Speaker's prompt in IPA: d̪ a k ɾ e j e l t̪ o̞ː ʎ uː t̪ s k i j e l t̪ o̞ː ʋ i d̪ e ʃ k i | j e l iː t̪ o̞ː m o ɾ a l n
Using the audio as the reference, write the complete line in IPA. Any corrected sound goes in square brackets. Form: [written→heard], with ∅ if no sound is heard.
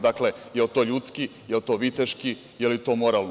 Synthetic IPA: d̪ a k [ɾ→l] e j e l t̪ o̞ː ʎ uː t̪ s k i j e l t̪ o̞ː ʋ i [d̪→t̪] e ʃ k i | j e l [iː→i] t̪ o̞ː m o ɾ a l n